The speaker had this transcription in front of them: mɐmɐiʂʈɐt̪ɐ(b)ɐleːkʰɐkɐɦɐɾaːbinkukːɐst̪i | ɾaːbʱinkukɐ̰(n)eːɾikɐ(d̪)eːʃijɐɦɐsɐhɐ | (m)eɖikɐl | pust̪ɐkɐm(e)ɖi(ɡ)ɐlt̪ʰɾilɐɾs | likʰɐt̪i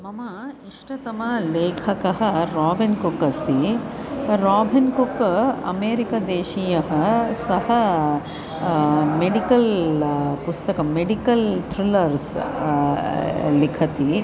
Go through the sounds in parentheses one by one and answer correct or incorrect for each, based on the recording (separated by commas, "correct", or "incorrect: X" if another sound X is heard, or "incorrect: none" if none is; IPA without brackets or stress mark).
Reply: incorrect: m, incorrect: m, correct, correct, correct, incorrect: k